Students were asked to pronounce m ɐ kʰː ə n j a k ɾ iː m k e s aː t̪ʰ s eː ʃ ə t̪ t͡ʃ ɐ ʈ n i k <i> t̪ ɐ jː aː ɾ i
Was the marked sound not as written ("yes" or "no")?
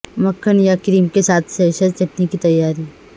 no